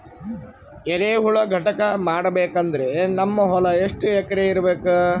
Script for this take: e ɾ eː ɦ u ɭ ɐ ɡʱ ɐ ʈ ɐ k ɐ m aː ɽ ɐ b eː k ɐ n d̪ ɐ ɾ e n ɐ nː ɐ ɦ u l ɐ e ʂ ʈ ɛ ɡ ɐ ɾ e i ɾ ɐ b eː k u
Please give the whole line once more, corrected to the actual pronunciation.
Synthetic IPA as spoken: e ɾ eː ɦ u ɭ ɐ ɡʱ ɐ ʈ ɐ k ɐ m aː ɽ ɐ b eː k ɐ n d̪ ɐ ɾ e n ɐ mː ɐ ɦ ɔ l ɐ e ʂ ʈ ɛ k ɐ ɾ e i ɾ ɐ b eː k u